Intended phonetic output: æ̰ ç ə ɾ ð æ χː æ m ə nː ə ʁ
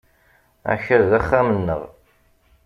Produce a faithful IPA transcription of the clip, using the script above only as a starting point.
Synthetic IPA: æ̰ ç ə ɾ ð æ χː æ m ə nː ə ʁ